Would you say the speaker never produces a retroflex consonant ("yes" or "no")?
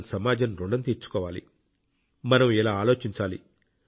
no